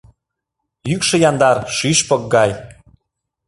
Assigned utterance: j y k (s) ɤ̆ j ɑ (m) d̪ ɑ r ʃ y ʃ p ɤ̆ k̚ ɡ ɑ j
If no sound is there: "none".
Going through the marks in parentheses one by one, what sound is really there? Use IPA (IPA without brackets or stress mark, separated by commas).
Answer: ʃ, n